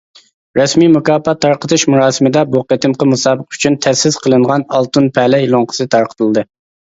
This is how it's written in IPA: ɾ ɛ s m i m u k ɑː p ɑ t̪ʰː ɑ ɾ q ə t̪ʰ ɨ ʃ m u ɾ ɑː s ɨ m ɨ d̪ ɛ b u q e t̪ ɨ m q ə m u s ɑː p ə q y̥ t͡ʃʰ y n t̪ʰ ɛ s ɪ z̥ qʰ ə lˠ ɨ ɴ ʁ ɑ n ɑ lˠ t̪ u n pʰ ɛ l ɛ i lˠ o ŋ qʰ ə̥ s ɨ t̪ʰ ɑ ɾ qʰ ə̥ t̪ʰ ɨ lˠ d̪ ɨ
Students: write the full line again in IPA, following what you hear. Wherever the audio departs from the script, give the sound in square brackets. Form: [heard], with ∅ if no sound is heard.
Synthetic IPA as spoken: ɾ ɛ s m i m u k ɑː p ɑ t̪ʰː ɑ ɾ q ə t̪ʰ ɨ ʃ m u ɾ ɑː s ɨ m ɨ d̪ ɛ b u q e t̪ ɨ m q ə m u s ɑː [b] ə q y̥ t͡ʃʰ y n t̪ʰ ɛ s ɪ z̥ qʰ ə lˠ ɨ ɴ ʁ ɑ n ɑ lˠ t̪ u n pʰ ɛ l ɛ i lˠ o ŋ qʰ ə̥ s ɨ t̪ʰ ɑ ɾ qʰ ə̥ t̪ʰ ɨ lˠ d̪ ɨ